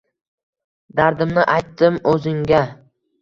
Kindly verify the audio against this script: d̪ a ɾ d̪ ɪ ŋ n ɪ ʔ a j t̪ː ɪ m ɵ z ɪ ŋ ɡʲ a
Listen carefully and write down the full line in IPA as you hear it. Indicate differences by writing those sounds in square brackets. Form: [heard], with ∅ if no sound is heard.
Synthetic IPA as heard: d̪ a ɾ d̪ ɪ [m] n ɪ ʔ a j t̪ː ɪ m ɵ z ɪ ŋ ɡʲ a